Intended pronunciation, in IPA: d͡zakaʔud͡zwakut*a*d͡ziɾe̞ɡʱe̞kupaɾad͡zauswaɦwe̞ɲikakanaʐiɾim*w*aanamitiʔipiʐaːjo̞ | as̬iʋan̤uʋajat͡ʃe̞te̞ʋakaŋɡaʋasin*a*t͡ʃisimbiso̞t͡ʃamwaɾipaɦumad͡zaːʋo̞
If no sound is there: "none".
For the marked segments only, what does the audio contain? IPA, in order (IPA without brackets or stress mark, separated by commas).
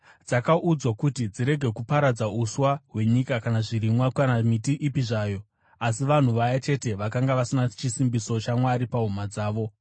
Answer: i, w, a